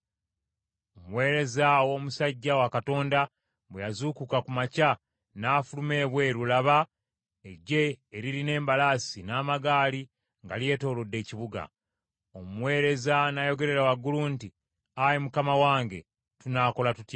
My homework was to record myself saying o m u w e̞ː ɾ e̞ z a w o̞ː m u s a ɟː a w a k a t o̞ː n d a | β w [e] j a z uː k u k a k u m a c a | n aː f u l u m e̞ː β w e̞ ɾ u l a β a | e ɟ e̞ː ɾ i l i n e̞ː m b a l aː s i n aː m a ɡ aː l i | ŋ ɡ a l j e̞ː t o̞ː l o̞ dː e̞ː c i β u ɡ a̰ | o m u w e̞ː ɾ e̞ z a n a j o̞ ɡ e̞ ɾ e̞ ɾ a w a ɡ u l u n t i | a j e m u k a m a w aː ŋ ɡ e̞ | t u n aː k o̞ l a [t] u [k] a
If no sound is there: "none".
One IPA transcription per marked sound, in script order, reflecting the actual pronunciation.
e, t, t

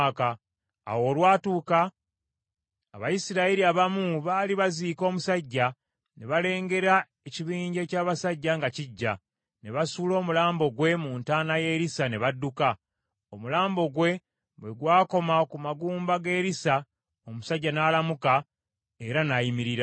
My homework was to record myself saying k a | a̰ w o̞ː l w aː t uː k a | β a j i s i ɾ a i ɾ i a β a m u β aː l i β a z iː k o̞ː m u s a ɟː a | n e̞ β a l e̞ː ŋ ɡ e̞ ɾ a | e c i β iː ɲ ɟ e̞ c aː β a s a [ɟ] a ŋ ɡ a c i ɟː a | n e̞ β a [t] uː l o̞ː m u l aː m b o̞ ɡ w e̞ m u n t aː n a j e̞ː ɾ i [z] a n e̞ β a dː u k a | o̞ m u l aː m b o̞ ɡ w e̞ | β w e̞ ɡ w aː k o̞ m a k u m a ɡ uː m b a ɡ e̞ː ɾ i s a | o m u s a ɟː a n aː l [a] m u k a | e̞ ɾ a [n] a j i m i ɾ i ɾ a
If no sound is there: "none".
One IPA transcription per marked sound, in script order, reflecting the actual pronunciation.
ɟː, s, s, a, n

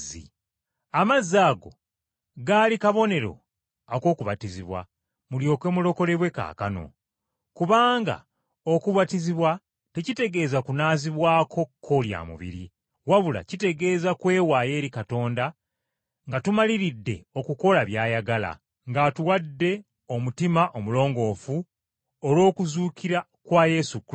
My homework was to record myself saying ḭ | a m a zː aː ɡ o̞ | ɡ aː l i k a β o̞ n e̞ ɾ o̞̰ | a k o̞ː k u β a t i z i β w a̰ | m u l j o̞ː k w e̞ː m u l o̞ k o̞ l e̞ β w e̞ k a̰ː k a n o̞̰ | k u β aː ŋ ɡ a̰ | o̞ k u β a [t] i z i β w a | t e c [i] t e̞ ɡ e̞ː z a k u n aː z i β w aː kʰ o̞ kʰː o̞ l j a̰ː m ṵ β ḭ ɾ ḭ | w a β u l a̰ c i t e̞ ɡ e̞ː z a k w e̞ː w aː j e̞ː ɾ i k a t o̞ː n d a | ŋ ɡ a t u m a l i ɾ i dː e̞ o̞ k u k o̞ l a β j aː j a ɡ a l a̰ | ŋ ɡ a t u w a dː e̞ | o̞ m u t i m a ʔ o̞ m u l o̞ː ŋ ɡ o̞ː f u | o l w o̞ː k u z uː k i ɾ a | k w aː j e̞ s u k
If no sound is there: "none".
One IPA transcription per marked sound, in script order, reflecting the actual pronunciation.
t, i

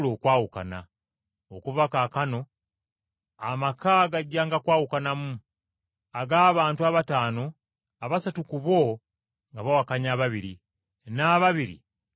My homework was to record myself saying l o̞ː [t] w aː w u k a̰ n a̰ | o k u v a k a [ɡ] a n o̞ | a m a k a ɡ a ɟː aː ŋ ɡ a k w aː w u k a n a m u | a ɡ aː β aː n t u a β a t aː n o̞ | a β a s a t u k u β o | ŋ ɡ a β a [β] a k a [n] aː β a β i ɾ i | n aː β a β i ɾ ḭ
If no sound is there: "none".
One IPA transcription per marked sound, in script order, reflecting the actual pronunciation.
k, k, w, ɲ

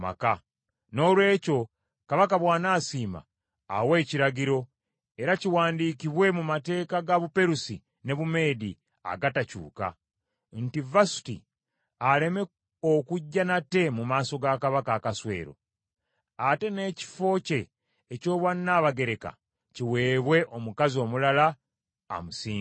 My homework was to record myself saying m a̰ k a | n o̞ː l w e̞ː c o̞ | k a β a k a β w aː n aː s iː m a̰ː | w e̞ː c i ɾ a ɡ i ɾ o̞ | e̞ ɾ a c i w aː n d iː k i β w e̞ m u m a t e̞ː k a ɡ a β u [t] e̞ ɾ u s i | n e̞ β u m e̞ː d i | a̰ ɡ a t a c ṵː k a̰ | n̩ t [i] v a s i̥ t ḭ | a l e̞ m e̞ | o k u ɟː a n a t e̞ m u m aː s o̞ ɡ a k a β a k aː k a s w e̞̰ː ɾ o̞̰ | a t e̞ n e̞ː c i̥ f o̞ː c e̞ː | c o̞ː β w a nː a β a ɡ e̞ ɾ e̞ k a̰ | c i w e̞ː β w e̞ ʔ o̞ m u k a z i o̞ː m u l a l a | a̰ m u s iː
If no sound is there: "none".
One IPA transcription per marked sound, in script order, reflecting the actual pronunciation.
p, i

